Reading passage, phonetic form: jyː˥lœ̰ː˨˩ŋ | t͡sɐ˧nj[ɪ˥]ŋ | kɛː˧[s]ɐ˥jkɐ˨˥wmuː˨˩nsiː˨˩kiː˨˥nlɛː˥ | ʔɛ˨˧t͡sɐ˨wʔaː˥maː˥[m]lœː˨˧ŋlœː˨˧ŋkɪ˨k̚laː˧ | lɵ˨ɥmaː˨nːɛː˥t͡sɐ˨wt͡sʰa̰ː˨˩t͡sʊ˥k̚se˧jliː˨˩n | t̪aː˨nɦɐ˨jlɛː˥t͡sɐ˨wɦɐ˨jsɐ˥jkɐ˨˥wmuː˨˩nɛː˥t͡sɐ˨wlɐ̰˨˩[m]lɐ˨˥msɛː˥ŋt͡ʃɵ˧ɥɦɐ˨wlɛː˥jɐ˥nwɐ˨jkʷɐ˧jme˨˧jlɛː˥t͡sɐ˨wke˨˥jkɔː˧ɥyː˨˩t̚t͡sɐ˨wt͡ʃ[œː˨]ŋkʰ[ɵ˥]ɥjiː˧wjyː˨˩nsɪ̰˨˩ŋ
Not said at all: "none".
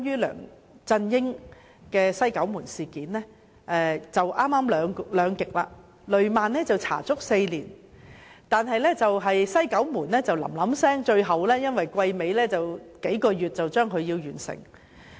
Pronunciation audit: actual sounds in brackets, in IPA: ɪ˥, s, m, m, œː˥, ɵ˨˧

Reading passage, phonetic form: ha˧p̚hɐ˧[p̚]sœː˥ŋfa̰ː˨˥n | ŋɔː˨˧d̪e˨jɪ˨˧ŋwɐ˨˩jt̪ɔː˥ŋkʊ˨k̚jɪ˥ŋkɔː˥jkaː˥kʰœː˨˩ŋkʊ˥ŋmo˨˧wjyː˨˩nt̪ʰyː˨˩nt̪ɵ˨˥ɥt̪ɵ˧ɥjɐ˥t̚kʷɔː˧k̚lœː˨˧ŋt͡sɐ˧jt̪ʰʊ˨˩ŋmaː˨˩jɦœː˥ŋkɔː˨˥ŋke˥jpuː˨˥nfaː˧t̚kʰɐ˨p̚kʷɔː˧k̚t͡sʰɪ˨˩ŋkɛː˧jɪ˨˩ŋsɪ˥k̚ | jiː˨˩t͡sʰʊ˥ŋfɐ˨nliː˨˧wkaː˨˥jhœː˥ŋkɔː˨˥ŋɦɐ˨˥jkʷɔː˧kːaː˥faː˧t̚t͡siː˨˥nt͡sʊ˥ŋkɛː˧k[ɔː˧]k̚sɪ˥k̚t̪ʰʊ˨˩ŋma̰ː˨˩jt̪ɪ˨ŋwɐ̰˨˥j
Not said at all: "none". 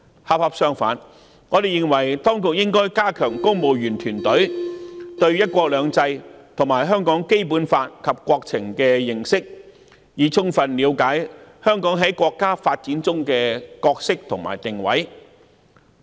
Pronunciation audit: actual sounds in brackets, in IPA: p̚, ɔː˧

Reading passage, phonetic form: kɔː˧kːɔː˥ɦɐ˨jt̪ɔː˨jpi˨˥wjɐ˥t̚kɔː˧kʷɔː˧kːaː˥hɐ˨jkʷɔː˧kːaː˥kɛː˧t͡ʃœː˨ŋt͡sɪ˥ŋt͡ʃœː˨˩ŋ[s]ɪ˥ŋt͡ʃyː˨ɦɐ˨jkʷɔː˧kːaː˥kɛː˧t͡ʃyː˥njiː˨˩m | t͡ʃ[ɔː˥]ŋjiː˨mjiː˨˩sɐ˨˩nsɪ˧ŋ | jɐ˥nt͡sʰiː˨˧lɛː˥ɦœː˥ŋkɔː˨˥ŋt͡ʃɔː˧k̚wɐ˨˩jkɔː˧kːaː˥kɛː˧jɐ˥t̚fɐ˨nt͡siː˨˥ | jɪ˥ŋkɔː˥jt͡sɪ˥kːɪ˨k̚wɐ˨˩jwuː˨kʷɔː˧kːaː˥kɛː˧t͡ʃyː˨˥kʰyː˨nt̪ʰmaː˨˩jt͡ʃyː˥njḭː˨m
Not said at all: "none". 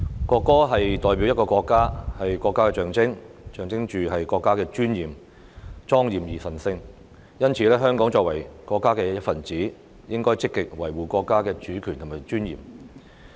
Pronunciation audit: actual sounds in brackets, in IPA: t͡s, ɔː˥

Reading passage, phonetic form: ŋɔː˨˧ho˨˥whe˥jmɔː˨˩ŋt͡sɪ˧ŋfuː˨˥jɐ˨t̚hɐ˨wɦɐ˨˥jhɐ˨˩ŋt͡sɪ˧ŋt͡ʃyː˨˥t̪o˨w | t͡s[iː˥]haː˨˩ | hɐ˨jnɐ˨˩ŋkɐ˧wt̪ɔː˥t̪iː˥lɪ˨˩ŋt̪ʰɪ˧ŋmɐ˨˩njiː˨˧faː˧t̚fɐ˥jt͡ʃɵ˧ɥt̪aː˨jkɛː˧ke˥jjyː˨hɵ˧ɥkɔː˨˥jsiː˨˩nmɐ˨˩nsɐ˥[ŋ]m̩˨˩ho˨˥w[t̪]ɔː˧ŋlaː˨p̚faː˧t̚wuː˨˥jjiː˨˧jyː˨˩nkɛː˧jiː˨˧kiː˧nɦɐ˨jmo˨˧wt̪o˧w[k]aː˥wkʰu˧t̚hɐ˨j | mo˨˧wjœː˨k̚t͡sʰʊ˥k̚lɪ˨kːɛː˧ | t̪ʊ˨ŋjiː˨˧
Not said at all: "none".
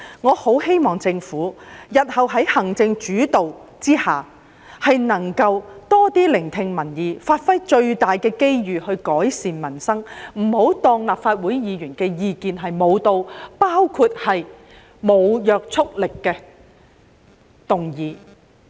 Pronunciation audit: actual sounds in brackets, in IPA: iː˥, ŋ, t̪, p

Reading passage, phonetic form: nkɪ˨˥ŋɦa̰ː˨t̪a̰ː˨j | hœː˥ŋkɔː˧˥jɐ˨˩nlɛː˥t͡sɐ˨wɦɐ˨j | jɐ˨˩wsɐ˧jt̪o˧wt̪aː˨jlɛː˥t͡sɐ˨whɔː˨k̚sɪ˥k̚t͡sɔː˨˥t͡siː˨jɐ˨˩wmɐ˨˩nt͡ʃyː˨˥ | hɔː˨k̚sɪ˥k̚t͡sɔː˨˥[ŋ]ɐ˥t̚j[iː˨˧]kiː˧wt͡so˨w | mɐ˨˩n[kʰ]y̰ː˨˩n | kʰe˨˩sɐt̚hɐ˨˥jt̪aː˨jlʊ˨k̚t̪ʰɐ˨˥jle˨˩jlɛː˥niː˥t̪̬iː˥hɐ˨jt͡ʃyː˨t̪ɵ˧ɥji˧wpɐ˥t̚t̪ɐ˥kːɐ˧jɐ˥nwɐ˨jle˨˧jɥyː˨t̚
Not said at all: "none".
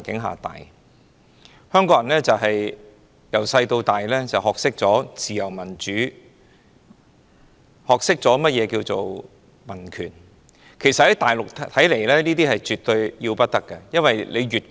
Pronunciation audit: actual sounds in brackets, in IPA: m, ɛː˨˧, kʰ

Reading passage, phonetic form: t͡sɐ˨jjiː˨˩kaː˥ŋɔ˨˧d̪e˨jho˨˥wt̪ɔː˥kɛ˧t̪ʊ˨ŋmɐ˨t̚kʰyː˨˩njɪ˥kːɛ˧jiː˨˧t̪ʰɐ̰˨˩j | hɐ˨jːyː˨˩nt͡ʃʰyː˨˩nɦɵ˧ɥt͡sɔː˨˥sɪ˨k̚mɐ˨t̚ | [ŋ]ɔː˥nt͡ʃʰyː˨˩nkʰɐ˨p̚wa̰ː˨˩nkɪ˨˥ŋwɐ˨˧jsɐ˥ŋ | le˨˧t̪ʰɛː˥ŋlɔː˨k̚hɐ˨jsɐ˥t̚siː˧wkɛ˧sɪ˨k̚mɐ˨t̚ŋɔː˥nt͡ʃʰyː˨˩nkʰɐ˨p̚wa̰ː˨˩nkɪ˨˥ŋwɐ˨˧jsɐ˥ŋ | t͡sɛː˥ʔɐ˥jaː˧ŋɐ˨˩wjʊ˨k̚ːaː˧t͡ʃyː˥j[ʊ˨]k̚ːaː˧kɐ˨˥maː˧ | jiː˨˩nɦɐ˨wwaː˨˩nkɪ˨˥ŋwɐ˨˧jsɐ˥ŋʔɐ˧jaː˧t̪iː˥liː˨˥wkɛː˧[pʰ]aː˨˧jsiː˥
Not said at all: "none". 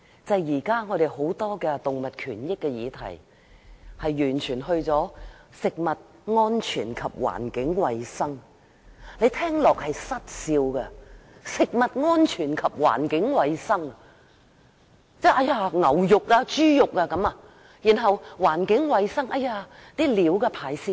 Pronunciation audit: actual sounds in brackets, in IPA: ŋ, ʊ˨, pʰ

